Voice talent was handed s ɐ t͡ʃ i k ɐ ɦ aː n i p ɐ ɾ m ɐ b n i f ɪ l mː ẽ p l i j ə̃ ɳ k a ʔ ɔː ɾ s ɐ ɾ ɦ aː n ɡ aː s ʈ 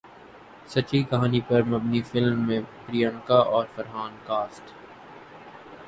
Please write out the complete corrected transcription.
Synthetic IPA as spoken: s ɐ t͡ʃ i k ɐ ɦ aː n i p ɐ ɾ m ɐ b n i f ɪ l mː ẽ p ɾ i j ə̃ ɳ k a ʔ ɔː ɾ f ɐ ɾ ɦ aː n k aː s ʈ